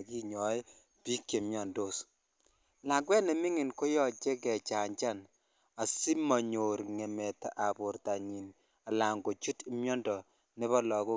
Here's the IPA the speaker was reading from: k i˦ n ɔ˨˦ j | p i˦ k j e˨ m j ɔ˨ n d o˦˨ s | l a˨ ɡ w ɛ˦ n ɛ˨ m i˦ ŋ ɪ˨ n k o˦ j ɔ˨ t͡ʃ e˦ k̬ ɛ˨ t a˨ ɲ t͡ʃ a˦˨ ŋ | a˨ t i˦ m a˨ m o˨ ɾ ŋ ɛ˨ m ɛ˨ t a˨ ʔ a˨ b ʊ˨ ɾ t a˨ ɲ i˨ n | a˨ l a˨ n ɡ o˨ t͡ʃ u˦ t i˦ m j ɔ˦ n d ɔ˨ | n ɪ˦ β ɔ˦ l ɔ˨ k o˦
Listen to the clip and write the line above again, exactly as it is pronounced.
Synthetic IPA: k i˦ ɲ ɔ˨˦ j | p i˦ k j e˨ m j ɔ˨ n d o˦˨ s | l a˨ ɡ w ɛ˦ n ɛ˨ m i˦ ŋ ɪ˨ n k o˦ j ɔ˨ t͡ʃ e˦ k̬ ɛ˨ t͡ʃ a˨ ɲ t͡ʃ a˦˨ n | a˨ s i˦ m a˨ ɲ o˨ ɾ ŋ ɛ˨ m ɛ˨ t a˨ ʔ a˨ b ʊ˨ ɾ t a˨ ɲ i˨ n | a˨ l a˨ ŋ ɡ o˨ t͡ʃ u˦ t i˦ m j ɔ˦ n d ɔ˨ | n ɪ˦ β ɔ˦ l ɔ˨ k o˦